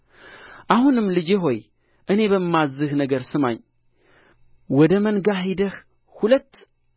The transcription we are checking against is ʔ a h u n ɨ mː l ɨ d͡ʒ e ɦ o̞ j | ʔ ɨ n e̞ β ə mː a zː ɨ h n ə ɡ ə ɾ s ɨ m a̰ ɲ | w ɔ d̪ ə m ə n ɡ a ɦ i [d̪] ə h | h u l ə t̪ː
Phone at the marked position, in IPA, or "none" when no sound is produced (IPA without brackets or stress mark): d̪